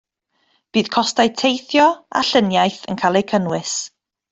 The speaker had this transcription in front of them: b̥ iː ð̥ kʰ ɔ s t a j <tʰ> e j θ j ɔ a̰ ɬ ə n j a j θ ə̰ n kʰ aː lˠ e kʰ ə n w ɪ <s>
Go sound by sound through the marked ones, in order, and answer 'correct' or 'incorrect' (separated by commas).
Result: correct, correct